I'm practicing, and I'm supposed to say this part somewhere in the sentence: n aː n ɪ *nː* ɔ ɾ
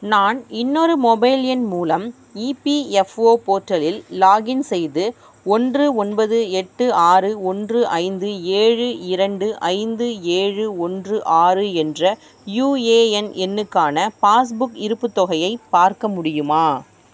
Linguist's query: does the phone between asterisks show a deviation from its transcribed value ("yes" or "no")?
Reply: no